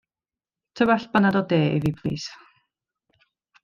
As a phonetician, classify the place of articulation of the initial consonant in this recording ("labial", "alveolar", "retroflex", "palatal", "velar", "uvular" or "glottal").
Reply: alveolar